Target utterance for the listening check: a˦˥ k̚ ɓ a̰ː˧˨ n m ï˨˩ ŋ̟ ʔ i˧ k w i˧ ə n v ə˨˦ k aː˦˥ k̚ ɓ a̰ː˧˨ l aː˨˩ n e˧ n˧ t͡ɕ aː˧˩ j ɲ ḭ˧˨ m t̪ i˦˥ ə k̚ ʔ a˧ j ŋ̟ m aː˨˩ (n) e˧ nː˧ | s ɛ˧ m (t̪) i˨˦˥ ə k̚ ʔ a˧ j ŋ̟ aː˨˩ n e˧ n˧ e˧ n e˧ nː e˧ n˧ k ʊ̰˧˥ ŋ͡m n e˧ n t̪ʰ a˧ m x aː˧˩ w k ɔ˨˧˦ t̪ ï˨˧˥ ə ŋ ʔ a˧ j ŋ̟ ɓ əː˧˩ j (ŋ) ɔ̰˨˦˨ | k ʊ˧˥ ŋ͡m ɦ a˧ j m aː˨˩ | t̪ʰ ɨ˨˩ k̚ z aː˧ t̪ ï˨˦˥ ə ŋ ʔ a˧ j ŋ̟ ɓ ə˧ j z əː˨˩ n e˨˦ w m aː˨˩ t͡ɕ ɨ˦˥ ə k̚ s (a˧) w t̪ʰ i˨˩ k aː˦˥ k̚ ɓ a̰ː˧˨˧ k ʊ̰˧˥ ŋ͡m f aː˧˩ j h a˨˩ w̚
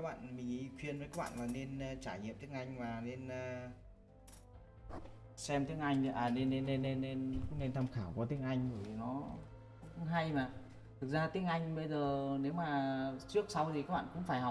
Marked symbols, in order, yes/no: yes, yes, no, yes

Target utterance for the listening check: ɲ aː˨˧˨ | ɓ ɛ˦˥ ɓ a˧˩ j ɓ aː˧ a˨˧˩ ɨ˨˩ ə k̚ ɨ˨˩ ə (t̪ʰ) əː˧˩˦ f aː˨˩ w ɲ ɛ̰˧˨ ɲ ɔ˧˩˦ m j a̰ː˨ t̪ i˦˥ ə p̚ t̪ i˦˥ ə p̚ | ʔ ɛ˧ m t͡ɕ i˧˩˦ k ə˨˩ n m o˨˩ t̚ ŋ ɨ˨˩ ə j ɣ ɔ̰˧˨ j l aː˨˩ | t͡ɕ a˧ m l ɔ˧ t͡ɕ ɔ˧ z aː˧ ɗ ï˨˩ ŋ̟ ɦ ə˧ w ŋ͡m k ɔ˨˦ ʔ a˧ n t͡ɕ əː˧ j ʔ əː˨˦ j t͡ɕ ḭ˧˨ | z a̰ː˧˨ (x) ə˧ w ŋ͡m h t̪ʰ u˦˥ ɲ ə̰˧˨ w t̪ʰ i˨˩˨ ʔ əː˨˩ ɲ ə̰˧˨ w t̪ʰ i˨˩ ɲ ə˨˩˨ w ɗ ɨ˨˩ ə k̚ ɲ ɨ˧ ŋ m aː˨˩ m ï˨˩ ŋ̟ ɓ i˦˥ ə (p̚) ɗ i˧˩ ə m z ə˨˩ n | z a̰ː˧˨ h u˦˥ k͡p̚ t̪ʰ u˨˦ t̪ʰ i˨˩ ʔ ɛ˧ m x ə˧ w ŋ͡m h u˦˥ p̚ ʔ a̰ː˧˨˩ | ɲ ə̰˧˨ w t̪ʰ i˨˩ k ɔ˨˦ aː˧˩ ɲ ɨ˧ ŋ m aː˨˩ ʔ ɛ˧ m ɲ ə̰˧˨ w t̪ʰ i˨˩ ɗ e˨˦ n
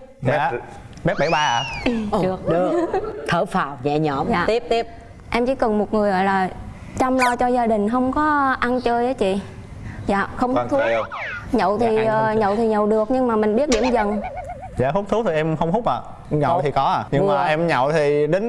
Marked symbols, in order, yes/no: yes, yes, no

